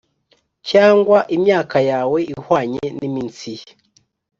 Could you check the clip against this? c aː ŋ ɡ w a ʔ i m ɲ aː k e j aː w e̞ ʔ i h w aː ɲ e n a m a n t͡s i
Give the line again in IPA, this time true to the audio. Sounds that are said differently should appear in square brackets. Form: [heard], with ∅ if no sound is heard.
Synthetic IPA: c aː ŋ ɡ w a ʔ i m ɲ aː k [a] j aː w e̞ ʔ i h w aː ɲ e n [i] m [i] n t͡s i